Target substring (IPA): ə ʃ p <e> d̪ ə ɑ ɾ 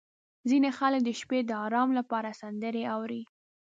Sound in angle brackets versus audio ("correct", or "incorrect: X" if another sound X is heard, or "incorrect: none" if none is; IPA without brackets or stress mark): correct